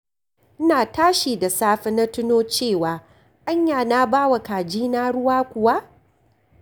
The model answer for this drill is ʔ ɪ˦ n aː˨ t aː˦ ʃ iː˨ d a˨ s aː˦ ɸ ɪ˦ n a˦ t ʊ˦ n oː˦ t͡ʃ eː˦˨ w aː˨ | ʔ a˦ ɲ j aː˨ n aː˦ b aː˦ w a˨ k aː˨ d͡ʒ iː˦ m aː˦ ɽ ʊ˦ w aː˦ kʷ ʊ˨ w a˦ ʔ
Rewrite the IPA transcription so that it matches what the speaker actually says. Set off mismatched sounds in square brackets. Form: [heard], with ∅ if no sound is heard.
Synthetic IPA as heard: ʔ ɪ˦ n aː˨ t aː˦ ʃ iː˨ d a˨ s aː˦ ɸ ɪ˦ n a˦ t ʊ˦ n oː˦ t͡ʃ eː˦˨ w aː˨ | ʔ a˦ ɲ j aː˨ n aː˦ b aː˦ w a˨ k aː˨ d͡ʒ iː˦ [n] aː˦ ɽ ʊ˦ w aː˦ kʷ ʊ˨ w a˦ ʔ

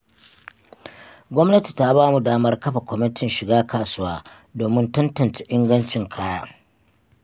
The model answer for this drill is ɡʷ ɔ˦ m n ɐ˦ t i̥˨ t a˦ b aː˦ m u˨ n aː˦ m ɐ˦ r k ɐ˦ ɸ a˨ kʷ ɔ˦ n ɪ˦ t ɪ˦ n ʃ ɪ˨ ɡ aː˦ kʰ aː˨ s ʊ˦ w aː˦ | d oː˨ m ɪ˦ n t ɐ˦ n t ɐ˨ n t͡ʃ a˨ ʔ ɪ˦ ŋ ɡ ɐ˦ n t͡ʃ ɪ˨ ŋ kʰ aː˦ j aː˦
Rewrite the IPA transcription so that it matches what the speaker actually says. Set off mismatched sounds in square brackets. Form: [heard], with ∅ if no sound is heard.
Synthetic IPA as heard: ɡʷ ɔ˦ m n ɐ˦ t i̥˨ t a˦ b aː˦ m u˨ [d] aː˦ m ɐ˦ r k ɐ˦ ɸ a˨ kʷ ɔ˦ [m] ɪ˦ t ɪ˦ n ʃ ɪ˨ ɡ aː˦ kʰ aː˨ s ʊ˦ w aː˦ | d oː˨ m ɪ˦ n t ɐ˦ n t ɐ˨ n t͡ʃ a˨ ʔ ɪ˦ ŋ ɡ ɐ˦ n t͡ʃ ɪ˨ ŋ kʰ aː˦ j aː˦

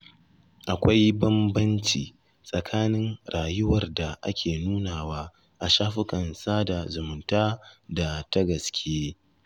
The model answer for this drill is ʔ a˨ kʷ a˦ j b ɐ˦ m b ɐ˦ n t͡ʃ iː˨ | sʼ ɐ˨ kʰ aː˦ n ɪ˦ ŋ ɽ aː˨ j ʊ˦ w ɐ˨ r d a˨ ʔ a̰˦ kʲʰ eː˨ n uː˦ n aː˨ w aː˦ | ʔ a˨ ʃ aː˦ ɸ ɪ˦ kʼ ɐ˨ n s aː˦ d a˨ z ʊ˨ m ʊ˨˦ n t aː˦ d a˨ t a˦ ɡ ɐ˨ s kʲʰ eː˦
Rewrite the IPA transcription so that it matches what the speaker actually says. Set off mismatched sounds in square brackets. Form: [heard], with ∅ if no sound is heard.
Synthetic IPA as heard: ʔ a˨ kʷ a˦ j b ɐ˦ m b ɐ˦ n t͡ʃ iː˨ | sʼ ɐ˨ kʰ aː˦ n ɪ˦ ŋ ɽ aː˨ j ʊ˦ w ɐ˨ r d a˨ ʔ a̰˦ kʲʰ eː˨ n uː˦ n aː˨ w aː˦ | ʔ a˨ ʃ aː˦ ɸ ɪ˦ kʼ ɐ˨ n s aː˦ d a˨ z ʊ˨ m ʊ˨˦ n t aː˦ d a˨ t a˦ ɡ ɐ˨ s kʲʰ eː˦

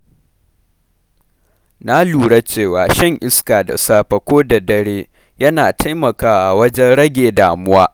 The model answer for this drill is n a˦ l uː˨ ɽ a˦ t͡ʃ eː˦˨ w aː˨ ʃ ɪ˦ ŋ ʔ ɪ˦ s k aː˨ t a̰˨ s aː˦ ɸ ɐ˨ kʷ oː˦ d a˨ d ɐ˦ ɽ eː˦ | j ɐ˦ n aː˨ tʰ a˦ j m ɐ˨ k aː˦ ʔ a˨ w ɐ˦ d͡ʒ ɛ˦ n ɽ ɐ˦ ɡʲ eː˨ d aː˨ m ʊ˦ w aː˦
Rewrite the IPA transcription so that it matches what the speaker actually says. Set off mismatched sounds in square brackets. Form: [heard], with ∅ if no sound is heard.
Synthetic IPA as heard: n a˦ l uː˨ ɽ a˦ t͡ʃ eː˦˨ w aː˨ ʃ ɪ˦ ŋ ʔ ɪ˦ s k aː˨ [d] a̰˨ s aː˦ ɸ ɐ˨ kʷ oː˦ d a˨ d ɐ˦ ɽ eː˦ | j ɐ˦ n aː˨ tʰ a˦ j m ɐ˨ k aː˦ ʔ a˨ w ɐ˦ d͡ʒ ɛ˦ n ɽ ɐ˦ ɡʲ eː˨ d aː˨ m ʊ˦ w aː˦

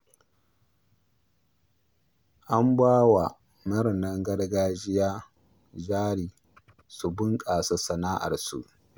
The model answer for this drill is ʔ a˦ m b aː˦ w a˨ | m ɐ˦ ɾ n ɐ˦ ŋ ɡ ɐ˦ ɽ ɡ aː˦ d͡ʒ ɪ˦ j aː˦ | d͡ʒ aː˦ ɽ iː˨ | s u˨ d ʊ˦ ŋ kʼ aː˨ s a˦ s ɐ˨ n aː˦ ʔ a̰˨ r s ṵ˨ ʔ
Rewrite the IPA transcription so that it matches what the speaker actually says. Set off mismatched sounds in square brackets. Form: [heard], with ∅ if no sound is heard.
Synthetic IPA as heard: ʔ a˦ m b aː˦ w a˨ | m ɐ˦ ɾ n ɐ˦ ŋ ɡ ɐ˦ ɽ ɡ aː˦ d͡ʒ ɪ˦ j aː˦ | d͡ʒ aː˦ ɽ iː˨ | s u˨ [b] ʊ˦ ŋ kʼ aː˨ s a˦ s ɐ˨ n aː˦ ʔ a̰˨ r s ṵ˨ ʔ

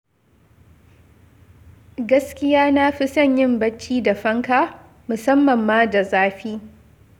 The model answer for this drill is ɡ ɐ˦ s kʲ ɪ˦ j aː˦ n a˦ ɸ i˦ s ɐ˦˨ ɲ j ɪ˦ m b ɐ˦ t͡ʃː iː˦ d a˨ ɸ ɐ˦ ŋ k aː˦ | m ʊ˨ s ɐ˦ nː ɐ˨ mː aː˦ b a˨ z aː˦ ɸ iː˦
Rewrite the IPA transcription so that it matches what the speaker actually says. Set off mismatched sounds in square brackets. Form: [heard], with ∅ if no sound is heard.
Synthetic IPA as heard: ɡ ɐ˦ s kʲ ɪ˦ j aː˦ n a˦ ɸ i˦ s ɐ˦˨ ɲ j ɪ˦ m b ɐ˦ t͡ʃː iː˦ d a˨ ɸ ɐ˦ ŋ k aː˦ | m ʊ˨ s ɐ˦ [mː] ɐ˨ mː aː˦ [d] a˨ z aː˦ ɸ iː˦

